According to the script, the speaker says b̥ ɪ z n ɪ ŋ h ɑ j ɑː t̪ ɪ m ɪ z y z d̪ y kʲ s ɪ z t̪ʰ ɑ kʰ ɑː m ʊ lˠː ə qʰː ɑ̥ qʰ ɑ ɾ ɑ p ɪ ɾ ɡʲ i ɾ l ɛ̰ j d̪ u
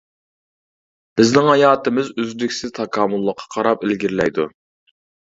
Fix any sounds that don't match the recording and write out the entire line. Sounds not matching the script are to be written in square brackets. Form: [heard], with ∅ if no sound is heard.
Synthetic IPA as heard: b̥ ɪ z n ɪ ŋ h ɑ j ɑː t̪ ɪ m ɪ z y z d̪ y kʲ s ɪ z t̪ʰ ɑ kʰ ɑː m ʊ lˠː ə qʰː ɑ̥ qʰ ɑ ɾ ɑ p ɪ [l] ɡʲ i ɾ l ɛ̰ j d̪ u